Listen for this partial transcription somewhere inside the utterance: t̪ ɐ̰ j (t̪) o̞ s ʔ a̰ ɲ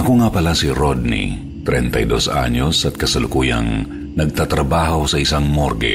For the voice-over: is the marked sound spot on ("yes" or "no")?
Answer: no